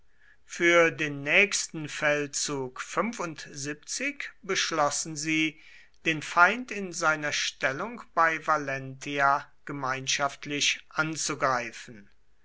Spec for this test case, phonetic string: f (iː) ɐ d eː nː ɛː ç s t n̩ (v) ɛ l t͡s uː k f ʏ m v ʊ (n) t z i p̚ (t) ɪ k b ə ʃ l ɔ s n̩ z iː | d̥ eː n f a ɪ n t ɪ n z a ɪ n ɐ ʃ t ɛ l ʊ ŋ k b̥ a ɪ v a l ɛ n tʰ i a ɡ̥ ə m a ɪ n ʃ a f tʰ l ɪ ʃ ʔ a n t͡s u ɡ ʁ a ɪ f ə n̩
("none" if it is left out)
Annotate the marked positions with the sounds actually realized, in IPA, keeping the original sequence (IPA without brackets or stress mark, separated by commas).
yː, f, n, t͡s